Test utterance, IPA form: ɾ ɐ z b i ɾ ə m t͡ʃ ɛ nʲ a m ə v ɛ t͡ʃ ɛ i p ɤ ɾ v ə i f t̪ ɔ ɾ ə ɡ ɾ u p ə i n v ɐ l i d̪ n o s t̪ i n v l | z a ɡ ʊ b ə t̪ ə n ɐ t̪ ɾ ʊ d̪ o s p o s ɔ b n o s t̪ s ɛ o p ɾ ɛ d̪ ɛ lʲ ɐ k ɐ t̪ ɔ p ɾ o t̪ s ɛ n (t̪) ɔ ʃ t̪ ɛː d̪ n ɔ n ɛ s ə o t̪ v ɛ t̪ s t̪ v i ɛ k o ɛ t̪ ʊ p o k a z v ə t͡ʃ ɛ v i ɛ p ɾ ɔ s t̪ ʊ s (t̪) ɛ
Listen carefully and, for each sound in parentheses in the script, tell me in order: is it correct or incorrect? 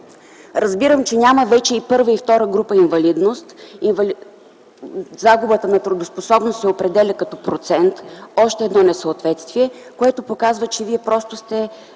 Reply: correct, correct

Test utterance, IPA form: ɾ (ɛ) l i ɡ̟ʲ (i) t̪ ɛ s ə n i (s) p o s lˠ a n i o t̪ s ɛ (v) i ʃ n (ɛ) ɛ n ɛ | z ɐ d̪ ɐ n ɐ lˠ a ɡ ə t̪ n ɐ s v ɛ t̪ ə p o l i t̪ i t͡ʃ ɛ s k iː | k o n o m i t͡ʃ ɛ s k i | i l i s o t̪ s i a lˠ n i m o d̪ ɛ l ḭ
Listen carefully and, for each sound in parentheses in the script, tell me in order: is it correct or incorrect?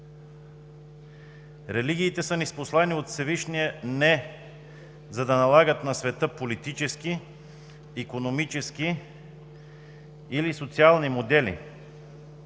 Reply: correct, incorrect, correct, correct, incorrect

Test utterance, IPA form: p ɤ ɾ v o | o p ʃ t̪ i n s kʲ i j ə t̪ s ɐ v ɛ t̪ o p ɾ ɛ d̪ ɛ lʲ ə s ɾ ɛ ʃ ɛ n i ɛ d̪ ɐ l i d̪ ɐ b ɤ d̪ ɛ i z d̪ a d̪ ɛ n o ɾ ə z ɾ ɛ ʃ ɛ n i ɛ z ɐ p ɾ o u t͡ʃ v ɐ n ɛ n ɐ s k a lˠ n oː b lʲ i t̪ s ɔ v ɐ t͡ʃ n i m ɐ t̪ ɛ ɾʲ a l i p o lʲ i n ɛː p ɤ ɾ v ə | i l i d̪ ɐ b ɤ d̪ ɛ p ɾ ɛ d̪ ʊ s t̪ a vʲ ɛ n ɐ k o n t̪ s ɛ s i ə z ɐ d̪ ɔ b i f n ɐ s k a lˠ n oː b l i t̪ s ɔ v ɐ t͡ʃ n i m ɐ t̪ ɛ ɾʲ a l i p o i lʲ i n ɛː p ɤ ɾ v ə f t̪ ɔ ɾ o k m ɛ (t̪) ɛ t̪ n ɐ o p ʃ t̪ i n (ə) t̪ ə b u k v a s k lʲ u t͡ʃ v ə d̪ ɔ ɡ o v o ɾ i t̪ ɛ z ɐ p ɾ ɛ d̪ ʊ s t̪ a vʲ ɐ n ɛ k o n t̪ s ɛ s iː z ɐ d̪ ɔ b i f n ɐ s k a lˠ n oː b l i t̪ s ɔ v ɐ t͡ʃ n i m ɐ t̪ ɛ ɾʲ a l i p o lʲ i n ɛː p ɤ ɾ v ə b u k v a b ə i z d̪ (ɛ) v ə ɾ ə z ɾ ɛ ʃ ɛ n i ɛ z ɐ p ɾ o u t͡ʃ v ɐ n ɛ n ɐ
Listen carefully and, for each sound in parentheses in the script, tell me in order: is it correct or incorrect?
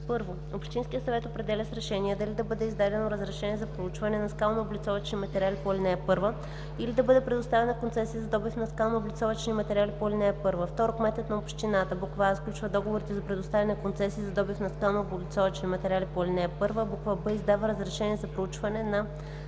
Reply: correct, incorrect, incorrect

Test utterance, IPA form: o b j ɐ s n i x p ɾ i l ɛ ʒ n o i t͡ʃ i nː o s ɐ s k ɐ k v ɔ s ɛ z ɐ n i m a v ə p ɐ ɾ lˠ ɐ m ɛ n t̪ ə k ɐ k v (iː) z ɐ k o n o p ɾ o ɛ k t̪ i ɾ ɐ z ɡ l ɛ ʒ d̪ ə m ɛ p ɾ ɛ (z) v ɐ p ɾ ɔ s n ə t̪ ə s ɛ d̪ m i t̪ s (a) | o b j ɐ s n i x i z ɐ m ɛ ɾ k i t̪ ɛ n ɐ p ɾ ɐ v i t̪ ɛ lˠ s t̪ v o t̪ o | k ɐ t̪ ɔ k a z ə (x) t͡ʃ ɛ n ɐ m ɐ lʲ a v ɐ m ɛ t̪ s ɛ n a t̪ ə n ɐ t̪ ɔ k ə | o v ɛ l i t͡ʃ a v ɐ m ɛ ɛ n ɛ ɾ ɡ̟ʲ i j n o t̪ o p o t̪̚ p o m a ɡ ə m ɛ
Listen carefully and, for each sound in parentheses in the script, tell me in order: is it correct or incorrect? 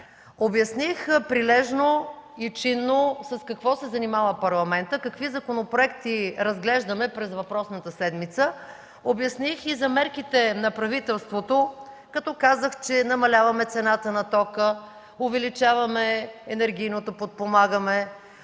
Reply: incorrect, correct, incorrect, correct

